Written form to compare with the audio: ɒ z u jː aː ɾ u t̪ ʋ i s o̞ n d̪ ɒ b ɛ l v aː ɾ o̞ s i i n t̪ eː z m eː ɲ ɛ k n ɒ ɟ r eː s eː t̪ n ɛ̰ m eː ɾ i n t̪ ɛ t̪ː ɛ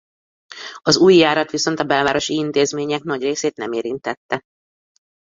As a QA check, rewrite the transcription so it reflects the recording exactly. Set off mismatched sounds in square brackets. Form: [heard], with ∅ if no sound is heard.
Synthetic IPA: ɒ z [uː] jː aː ɾ [ɒ] t̪ ʋ i s o̞ n [t̪] ɒ b ɛ l v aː ɾ o̞ [ʃ] i i n t̪ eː z m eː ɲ ɛ k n ɒ ɟ r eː s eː t̪ n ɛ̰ m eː ɾ i n t̪ ɛ t̪ː ɛ

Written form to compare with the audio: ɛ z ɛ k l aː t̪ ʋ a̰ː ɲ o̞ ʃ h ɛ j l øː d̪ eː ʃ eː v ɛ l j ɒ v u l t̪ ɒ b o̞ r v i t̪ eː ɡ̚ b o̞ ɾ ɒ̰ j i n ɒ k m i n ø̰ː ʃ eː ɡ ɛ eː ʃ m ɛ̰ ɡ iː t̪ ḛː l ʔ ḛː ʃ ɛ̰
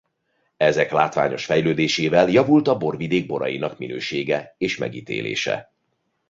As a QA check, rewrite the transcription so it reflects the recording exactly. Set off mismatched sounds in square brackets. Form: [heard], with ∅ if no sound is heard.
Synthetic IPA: ɛ z ɛ k l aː t̪ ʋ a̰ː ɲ o̞ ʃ [f] ɛ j l øː d̪ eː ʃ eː v ɛ l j ɒ v u l t̪ ɒ b o̞ r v i [d̪] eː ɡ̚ b o̞ ɾ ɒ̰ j i n ɒ k m i n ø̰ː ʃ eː ɡ ɛ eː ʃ m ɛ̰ ɡ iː t̪ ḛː l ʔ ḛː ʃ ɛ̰

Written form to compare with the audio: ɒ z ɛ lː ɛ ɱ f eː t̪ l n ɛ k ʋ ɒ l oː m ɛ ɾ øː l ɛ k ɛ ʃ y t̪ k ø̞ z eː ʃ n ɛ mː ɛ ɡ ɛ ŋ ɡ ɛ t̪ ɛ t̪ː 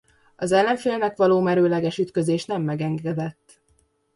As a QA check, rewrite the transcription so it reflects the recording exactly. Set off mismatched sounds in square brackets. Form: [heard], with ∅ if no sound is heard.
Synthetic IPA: ɒ z ɛ lː ɛ ɱ f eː [∅] l n ɛ k ʋ ɒ l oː m ɛ ɾ øː l ɛ [ɡ] ɛ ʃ y t̪ k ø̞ z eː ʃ n ɛ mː ɛ ɡ ɛ ŋ ɡ ɛ [d̪] ɛ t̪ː

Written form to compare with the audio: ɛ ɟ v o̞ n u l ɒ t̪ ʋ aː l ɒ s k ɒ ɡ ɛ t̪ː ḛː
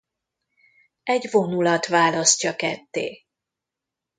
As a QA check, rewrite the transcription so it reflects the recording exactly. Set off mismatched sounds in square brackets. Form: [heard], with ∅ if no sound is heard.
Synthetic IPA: ɛ ɟ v o̞ n u l ɒ t̪ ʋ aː l ɒ s [c] ɒ [k] ɛ t̪ː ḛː

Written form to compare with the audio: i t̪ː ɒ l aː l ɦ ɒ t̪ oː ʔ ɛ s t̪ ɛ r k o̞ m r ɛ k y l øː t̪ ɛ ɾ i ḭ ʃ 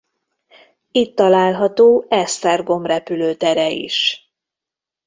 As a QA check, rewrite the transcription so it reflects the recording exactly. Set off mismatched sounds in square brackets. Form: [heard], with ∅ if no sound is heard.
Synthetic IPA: i t̪ː ɒ l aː l ɦ ɒ t̪ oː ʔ ɛ s t̪ ɛ r [ɡ] o̞ m r ɛ [p] y l øː t̪ ɛ ɾ [ɛ] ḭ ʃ

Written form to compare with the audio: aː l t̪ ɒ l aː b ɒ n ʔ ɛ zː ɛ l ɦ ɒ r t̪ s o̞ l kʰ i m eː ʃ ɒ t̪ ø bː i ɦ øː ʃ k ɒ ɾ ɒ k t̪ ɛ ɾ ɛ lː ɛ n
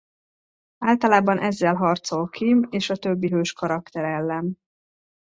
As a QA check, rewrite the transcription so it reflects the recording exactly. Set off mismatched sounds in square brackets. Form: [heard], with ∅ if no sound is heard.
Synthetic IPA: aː l t̪ ɒ l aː b ɒ n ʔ ɛ zː ɛ l ɦ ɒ r t̪ s o̞ l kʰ i m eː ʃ ɒ t̪ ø bː i ɦ øː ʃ k ɒ ɾ ɒ k t̪ ɛ ɾ ɛ lː ɛ n

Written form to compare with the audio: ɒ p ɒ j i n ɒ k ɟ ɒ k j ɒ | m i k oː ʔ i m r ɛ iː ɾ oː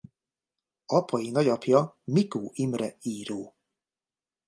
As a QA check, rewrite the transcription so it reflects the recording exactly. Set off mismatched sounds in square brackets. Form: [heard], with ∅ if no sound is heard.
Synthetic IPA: ɒ p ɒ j i n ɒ [∅] ɟ ɒ [p] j ɒ | m i k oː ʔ i m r ɛ iː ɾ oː

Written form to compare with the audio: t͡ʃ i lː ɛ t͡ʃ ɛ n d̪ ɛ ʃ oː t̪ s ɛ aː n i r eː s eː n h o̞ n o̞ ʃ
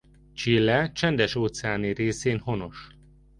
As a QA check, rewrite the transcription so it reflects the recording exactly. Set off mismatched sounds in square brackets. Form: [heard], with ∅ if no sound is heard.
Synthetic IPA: t͡ʃ i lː ɛ t͡ʃ ɛ n d̪ ɛ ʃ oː t̪ s ɛ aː n i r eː s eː n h o̞ n o̞ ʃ

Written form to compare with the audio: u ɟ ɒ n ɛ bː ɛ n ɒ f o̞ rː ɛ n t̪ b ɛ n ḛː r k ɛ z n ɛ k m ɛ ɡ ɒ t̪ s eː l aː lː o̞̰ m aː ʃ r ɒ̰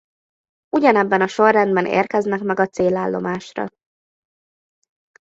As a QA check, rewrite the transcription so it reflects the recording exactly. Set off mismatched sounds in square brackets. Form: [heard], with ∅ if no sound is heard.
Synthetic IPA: u ɟ ɒ n ɛ bː ɛ n ɒ [ʃ] o̞ rː ɛ n [d̪] b ɛ n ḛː r k ɛ z n ɛ k m ɛ ɡ ɒ t̪ s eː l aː lː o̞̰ m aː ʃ r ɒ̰

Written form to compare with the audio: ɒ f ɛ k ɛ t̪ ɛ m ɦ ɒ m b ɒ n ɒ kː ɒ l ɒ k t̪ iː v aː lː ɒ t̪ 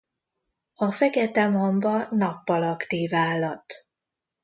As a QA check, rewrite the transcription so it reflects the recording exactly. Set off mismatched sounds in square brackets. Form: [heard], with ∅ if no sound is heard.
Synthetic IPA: ɒ f ɛ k ɛ t̪ ɛ m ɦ [o] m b ɒ n ɒ [pː] ɒ l ɒ k t̪ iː v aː lː ɒ t̪

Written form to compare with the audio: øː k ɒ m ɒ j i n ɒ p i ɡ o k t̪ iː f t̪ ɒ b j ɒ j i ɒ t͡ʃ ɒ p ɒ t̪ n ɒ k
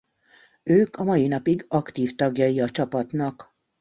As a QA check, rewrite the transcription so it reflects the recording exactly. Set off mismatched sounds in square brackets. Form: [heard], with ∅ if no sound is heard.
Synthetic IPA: øː k ɒ m ɒ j i n ɒ p i ɡ [ɒ] k t̪ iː f t̪ ɒ [ɡ] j ɒ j i ɒ t͡ʃ ɒ p ɒ t̪ n ɒ k

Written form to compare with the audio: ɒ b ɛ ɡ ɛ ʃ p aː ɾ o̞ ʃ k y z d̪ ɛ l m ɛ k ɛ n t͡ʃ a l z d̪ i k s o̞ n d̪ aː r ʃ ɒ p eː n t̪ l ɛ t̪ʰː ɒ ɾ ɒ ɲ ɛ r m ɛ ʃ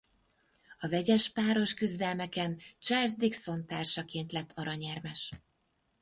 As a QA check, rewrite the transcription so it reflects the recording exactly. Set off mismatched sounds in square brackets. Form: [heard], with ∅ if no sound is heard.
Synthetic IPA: ɒ [v] ɛ [ɟ] ɛ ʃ p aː ɾ o̞ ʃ k y z d̪ ɛ l m ɛ k ɛ n t͡ʃ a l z d̪ i k s o̞ n [t̪] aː r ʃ ɒ [k] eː n t̪ l ɛ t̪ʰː ɒ ɾ ɒ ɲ ɛ r m ɛ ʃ

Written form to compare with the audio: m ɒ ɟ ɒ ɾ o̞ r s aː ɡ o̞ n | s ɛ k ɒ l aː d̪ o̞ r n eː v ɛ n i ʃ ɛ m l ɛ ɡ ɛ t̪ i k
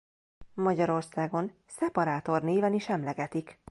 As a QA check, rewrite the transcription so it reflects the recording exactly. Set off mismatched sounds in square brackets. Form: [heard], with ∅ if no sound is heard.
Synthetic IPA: m ɒ ɟ ɒ ɾ o̞ r s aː ɡ o̞ n | s ɛ [p] ɒ [ɾ] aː [t̪] o̞ r n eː v ɛ n i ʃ ɛ m l ɛ ɡ ɛ t̪ i k

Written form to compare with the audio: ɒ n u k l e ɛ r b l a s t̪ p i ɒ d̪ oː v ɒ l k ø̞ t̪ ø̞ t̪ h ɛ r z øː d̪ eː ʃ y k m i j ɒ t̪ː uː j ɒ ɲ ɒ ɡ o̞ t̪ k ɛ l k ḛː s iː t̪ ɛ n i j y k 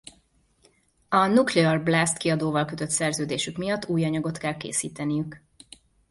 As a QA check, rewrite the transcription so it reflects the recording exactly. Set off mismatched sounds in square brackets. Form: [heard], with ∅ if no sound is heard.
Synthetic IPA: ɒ n u k l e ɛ r b l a s t̪ [k] i ɒ d̪ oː v ɒ l k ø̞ t̪ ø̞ t̪ [s] ɛ r z øː d̪ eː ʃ y k m i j ɒ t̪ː uː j ɒ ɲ ɒ ɡ o̞ t̪ k ɛ l k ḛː s iː t̪ ɛ n i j y k

